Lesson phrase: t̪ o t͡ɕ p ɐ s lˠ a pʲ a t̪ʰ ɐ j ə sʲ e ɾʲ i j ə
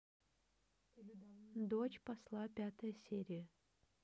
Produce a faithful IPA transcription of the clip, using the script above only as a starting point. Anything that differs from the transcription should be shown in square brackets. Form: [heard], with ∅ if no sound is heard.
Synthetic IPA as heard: [d̪] o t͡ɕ p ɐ s lˠ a pʲ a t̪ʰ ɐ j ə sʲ e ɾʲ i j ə